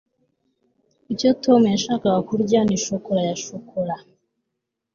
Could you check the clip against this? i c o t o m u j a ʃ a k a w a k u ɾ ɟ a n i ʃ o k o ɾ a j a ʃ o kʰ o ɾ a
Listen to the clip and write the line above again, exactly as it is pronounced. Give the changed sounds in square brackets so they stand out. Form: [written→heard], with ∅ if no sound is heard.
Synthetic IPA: i c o t o m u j a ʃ a k a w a k u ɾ ɟ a n i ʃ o k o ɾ a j a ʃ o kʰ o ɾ a